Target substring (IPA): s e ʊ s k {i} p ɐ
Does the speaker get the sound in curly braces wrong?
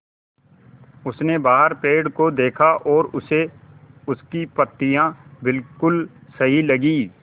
no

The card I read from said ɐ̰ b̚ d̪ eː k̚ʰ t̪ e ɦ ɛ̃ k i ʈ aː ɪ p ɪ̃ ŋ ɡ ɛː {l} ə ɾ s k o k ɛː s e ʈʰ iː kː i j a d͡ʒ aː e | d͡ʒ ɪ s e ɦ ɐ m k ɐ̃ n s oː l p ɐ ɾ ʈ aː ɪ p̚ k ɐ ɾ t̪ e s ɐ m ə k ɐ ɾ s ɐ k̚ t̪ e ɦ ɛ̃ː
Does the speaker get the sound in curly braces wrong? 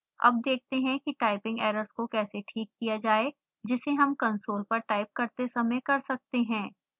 yes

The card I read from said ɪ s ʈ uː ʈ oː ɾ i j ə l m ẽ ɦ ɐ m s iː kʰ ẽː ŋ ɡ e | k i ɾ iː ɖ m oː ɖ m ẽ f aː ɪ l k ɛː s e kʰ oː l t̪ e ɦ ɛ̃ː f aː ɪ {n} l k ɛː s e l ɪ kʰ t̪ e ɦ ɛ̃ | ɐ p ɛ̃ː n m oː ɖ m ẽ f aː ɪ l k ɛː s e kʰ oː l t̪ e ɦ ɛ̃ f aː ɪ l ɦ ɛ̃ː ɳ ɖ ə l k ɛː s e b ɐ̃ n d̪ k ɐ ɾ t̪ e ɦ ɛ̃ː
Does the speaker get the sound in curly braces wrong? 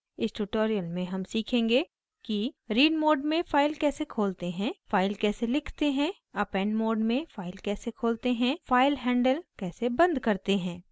yes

